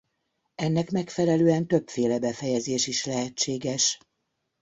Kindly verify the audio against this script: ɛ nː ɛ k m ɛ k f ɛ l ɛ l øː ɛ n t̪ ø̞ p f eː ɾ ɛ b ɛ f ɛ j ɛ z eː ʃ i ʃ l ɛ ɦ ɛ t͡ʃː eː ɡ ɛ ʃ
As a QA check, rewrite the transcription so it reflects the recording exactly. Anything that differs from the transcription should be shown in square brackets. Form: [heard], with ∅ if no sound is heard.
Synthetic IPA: ɛ nː ɛ k m ɛ k f ɛ l ɛ l øː ɛ n t̪ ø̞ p f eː [l] ɛ b ɛ f ɛ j ɛ z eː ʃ i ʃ l ɛ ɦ ɛ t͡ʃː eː ɡ ɛ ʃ